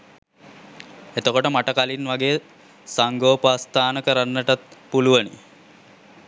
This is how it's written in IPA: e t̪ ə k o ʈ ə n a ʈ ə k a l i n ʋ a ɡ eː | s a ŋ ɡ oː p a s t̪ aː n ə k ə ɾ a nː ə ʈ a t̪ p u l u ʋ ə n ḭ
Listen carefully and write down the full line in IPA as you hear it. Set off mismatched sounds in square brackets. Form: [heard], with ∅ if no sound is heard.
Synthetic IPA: e t̪ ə k o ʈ ə [m] a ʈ ə k a l i n ʋ a ɡ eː | s a ŋ ɡ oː p a s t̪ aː n ə k ə ɾ a nː ə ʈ a t̪ p u l u ʋ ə n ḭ